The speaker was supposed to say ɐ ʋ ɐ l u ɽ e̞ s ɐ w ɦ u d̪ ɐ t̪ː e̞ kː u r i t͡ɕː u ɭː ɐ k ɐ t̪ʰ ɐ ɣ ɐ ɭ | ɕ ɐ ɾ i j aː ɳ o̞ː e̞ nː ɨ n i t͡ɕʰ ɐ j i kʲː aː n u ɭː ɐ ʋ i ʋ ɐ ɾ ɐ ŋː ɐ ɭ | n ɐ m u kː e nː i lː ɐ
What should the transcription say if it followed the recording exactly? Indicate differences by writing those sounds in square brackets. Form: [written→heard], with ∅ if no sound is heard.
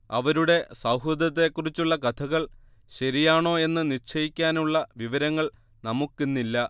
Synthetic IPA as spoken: ɐ ʋ ɐ [l→ɾ] u ɽ e̞ s ɐ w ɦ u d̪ ɐ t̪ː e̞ kː u r i t͡ɕː u ɭː ɐ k ɐ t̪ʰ ɐ ɣ ɐ ɭ | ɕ ɐ ɾ i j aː ɳ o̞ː e̞ nː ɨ n i t͡ɕʰ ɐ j i kʲː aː n u ɭː ɐ ʋ i ʋ ɐ ɾ ɐ ŋː ɐ ɭ | n ɐ m u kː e nː i lː ɐ